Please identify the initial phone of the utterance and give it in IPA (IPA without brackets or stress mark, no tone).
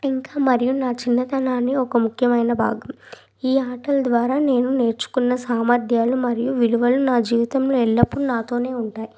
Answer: i